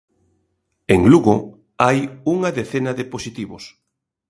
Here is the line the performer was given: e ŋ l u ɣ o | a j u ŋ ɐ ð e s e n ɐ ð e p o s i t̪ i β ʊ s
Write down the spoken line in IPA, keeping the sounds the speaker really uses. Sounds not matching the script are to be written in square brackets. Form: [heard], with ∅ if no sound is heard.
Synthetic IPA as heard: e ŋ l u ɣ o | a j u ŋ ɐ ð e [θ] e n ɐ ð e p o s i t̪ i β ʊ s